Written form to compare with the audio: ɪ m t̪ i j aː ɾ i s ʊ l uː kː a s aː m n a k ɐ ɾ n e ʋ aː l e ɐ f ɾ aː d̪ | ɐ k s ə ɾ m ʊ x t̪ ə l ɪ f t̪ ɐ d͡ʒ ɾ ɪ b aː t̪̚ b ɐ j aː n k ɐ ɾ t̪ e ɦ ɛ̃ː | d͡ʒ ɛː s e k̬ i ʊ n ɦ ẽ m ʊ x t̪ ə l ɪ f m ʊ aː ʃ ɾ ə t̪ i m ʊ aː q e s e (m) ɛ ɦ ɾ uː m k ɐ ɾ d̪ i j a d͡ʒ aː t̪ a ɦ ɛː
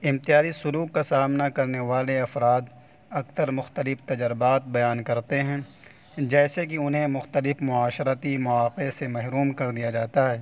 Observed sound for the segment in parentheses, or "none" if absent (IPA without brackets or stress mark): m